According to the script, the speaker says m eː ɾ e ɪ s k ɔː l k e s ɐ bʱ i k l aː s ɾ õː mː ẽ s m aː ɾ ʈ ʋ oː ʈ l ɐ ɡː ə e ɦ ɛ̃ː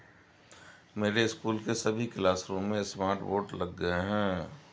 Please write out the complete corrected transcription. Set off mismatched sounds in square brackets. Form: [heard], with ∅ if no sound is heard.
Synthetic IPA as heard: m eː ɾ e ɪ s k [uː] l k e s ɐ bʱ i k l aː s ɾ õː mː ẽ s m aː ɾ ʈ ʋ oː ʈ l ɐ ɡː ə e ɦ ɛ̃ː